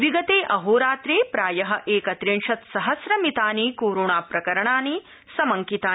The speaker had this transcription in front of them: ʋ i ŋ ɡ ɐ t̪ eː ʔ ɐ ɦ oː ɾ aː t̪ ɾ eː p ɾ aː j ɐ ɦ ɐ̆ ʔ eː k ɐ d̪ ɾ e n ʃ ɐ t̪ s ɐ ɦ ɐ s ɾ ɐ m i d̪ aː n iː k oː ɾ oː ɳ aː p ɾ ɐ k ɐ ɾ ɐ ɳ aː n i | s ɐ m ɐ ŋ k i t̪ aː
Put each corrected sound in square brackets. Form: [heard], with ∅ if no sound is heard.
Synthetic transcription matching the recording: ʋ i [∅] ɡ ɐ t̪ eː ʔ ɐ ɦ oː ɾ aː t̪ ɾ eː p ɾ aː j ɐ ɦ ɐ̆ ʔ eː k ɐ [t̪] ɾ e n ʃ ɐ t̪ s ɐ ɦ ɐ s ɾ ɐ m i [t̪] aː n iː k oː ɾ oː ɳ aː p ɾ ɐ k ɐ ɾ ɐ ɳ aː n i | s ɐ m ɐ ŋ k i t̪ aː